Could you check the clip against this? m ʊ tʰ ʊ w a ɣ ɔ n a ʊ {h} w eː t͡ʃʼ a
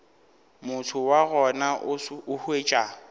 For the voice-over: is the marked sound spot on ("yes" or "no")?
yes